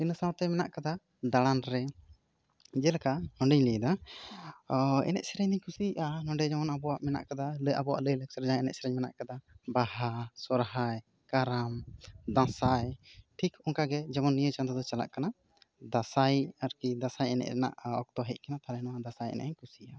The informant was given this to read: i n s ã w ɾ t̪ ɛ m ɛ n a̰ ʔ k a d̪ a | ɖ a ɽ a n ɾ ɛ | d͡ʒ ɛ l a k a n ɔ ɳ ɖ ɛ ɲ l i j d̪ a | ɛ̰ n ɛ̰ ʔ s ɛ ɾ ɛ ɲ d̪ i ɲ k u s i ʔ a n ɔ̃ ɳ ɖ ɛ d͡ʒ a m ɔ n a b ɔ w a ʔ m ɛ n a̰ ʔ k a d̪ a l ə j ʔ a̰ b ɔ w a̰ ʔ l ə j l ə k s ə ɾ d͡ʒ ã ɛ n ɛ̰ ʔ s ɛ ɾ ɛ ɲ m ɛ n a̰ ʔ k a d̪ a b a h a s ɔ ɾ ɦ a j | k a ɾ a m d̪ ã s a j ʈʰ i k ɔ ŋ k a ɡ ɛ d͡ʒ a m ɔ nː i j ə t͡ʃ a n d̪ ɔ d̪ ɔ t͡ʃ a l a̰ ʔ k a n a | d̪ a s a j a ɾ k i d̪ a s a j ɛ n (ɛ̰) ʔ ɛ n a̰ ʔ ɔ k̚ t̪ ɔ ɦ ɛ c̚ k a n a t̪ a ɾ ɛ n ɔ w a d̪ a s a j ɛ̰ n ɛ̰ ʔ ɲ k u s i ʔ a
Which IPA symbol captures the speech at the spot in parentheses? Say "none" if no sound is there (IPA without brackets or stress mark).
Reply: ɛ̰